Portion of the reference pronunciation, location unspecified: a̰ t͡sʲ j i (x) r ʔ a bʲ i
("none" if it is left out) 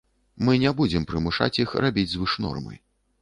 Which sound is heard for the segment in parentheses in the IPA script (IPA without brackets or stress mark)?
x